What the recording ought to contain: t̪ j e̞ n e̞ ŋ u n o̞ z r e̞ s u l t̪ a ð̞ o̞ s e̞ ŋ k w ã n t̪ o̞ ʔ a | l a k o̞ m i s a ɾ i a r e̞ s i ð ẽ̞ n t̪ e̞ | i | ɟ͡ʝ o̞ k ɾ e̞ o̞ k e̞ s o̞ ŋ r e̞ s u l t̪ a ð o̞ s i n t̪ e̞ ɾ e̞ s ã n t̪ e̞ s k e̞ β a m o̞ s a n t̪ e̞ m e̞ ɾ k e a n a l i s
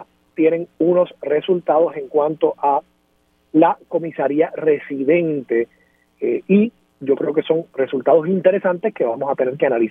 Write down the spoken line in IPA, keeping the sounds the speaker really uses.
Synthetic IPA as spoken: t̪ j e̞ n e̞ ŋ u n o̞ s r e̞ s u l t̪ a ð̞ o̞ s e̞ ŋ k w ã n t̪ o̞ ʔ a | l a k o̞ m i s a ɾ i a r e̞ s i ð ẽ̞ n t̪ e̞ | i | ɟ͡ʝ o̞ k ɾ e̞ o̞ k e̞ s o̞ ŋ r e̞ s u l t̪ a ð o̞ s i n t̪ e̞ ɾ e̞ s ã n t̪ e̞ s k e̞ β a m o̞ s a t̪ e̞ n e̞ ɾ k e a n a l i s